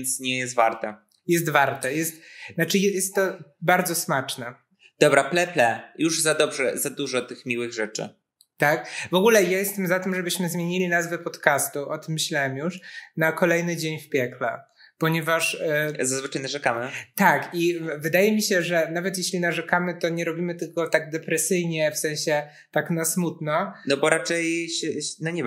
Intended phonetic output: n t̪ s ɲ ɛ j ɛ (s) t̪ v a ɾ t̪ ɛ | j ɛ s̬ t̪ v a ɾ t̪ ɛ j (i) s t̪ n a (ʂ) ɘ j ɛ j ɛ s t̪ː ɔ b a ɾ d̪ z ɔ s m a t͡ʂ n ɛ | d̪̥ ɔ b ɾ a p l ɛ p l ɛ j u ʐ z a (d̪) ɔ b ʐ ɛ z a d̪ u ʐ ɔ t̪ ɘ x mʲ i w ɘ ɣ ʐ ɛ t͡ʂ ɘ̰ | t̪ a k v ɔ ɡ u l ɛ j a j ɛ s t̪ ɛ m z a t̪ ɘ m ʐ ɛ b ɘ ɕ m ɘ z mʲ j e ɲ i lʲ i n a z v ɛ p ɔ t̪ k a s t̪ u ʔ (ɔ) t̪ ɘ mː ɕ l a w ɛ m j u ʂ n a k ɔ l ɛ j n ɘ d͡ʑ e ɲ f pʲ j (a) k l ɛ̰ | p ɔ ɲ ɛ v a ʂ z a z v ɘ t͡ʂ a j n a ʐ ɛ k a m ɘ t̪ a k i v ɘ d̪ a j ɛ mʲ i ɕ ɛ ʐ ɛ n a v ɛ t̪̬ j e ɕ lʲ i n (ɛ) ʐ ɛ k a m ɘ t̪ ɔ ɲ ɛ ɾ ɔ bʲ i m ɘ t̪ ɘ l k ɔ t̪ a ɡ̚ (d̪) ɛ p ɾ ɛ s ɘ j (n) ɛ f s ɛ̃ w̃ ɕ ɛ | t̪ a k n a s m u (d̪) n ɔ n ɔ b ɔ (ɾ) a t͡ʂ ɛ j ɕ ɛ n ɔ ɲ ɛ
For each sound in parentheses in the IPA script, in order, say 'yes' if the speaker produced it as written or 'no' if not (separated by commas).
yes, no, no, yes, yes, no, no, yes, no, no, yes